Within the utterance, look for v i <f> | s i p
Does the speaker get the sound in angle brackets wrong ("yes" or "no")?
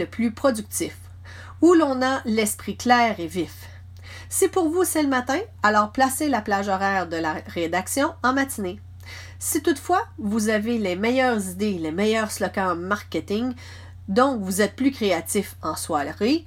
no